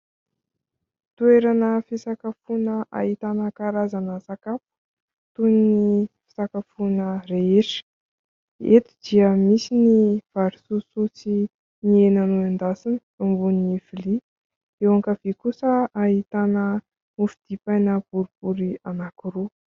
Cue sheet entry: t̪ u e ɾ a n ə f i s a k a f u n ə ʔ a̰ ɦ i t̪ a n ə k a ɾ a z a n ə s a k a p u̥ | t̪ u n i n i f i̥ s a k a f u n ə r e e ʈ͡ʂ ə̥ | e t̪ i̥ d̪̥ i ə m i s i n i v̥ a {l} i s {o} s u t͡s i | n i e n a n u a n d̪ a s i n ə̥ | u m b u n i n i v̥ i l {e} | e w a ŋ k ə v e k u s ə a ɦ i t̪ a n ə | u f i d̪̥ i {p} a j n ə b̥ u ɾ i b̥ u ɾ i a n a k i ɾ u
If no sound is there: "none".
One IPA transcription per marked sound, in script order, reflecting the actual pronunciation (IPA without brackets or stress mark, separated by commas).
ɾ, u, i, p